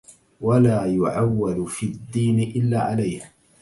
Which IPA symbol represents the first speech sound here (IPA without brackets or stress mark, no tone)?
w